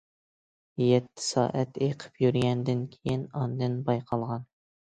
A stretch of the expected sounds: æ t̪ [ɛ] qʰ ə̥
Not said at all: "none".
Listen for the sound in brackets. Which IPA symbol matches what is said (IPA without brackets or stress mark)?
e